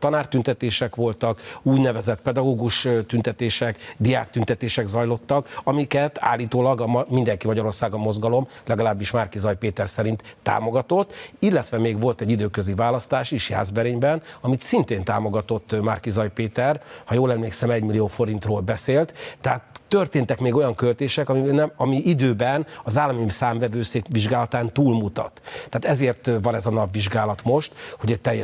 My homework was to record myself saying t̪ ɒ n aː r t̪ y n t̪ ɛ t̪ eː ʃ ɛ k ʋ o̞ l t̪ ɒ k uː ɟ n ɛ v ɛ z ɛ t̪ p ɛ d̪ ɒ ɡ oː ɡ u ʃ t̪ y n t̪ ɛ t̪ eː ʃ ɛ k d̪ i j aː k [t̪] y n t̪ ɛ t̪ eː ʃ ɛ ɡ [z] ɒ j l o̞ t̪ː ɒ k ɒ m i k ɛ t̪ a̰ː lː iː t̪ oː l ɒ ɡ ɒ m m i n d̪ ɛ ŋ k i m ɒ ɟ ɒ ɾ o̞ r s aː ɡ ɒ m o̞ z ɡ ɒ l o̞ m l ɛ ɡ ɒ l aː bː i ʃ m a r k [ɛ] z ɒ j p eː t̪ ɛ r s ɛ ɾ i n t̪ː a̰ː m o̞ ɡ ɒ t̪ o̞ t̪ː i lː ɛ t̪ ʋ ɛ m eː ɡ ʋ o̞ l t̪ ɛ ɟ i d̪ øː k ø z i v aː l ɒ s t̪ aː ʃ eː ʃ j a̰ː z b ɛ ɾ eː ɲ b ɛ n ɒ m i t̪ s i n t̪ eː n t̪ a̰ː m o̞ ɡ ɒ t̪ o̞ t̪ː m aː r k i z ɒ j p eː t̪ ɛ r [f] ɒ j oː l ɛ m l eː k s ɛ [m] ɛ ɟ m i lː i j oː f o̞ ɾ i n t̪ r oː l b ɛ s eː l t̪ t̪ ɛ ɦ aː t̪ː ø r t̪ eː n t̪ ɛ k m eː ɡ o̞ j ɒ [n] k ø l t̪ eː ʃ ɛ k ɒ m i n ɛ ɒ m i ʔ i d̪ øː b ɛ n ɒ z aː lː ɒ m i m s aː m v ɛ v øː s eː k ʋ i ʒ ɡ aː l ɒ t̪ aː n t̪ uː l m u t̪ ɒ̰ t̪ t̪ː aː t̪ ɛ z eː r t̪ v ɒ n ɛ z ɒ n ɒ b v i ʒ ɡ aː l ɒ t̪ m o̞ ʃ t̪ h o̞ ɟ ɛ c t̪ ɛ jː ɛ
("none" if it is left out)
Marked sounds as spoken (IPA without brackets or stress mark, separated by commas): t̪, z, i, h, m, ŋ